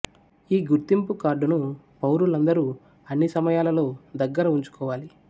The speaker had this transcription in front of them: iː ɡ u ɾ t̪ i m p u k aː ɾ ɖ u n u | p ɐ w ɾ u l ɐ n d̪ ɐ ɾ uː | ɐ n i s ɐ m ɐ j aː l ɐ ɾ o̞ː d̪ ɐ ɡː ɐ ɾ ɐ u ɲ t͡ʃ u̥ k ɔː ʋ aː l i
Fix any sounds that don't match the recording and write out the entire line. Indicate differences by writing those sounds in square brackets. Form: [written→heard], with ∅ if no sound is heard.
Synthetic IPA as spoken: iː ɡ u ɾ t̪ i m p u k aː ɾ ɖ u n u | p ɐ w ɾ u l ɐ n d̪ ɐ ɾ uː | ɐ [n→nː] i s ɐ m ɐ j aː l ɐ [ɾ→l] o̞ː d̪ ɐ ɡː ɐ ɾ ɐ u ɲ t͡ʃ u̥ k ɔː ʋ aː l i

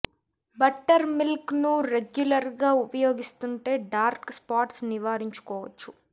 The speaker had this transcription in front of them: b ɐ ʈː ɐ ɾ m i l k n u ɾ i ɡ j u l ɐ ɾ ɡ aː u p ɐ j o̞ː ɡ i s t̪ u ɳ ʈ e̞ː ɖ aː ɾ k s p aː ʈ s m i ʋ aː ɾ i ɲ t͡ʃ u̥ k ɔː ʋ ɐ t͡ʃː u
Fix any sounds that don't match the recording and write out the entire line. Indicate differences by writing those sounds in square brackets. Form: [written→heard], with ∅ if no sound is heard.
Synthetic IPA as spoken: b ɐ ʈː ɐ ɾ m i l k n u ɾ [i→e] ɡ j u l ɐ ɾ ɡ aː u p ɐ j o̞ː ɡ i s t̪ u ɳ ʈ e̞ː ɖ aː ɾ k s p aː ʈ s [m→n] i ʋ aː ɾ i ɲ t͡ʃ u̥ k ɔː ʋ ɐ t͡ʃː u

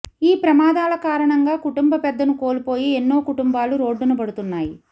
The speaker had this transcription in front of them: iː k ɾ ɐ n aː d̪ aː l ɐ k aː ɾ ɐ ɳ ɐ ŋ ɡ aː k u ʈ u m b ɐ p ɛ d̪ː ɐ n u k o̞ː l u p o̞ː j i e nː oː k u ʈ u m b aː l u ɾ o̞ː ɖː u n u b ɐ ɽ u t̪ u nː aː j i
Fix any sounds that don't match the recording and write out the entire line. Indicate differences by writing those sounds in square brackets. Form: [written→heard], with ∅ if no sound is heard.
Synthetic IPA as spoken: iː [k→p] ɾ ɐ [n→m] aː d̪ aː l ɐ k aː ɾ ɐ ɳ ɐ ŋ ɡ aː k u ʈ u m b ɐ p ɛ d̪ː ɐ n u k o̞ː l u p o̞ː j i e nː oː k u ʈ u m b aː l u ɾ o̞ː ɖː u n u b ɐ ɽ u t̪ u nː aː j i

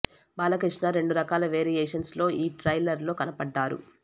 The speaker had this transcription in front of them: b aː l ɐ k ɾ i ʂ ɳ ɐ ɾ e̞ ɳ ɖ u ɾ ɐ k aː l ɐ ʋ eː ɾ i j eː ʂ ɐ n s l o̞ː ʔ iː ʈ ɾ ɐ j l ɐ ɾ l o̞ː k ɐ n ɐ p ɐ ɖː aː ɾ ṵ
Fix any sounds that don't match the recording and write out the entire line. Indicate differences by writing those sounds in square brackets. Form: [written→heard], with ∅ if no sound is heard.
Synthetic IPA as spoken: b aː l ɐ k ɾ i ʂ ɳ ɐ ɾ e̞ ɳ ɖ u ɾ ɐ k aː l ɐ ʋ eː ɾ i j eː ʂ ɐ n s l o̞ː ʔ iː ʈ ɾ ɐ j l ɐ ɾ l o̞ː k ɐ n ɐ p ɐ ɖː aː ɾ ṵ

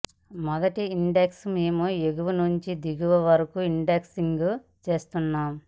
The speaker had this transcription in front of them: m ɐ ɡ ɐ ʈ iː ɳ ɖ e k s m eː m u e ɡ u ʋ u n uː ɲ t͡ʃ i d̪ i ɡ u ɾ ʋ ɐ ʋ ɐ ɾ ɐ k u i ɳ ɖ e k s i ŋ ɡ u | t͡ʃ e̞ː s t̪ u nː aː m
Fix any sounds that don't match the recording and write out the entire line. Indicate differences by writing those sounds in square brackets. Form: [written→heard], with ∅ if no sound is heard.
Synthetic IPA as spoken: m ɐ ɡ ɐ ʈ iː ɳ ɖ e k s m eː m u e ɡ u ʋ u n [uː→u] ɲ t͡ʃ i d̪ i ɡ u [ɾ→∅] ʋ ɐ ʋ ɐ ɾ ɐ k u i ɳ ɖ e k s i ŋ ɡ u | t͡ʃ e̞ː s t̪ u nː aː m

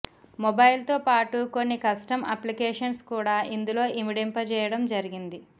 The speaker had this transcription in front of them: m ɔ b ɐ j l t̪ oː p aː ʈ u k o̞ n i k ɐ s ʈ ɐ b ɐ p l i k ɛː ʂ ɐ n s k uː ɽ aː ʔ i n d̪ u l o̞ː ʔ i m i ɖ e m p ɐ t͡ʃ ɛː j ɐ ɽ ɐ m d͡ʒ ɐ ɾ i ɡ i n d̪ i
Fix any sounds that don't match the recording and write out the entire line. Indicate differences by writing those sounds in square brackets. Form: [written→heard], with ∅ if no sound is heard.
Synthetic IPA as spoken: m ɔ b ɐ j l t̪ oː p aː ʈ u k o̞ [n→nː] i k ɐ s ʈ ɐ [b→m] ɐ p l i k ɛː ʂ ɐ n s k uː ɽ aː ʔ i n d̪ u l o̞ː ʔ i m i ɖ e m p ɐ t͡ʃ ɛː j ɐ ɽ ɐ m d͡ʒ ɐ ɾ i ɡ i n d̪ i

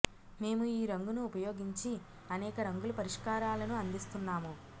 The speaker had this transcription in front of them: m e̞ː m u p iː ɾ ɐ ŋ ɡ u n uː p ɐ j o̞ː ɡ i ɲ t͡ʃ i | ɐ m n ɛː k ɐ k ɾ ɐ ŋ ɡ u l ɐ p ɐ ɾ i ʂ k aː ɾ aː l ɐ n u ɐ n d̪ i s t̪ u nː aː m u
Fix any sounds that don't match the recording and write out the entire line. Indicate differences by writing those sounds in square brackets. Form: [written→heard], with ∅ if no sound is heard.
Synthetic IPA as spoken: m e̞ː m u [p→∅] iː ɾ ɐ ŋ ɡ u n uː p ɐ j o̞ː ɡ i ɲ t͡ʃ i | ɐ [m→∅] n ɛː k ɐ [k→∅] ɾ ɐ ŋ ɡ u l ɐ p ɐ ɾ i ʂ k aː ɾ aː l ɐ n u ɐ n d̪ i s t̪ u nː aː m u

